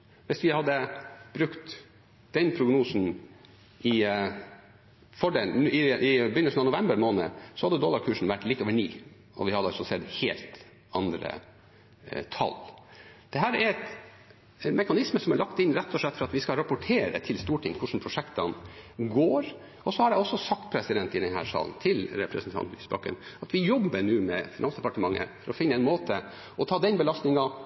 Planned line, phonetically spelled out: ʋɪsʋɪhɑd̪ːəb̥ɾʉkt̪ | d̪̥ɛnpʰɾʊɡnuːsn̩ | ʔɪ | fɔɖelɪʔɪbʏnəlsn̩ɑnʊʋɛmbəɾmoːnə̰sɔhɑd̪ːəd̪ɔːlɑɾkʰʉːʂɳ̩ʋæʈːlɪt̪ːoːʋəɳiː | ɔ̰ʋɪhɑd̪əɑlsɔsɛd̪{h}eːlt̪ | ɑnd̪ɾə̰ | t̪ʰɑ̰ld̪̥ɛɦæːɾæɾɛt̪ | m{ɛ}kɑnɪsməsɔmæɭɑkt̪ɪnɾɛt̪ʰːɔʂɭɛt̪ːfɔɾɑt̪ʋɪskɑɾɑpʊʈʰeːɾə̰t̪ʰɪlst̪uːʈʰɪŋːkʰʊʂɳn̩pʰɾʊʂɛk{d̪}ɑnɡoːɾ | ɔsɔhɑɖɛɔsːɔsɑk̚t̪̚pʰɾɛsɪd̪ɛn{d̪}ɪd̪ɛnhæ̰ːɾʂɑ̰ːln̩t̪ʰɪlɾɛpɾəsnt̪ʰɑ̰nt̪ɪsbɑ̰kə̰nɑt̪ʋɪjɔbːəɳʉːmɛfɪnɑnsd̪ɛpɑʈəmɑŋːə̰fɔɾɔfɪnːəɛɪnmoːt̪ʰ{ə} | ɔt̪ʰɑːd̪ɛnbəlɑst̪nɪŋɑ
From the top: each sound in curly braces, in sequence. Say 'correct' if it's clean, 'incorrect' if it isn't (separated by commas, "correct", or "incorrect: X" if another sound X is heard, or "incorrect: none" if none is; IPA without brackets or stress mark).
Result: correct, correct, incorrect: t̪, incorrect: t̪, correct